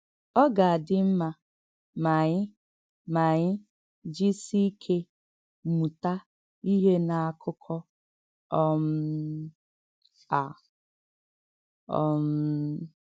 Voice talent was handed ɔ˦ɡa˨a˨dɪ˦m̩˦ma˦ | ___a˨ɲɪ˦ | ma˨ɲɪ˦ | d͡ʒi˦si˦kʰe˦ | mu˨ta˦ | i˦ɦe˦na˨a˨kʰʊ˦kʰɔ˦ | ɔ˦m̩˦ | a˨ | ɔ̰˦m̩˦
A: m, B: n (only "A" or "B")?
A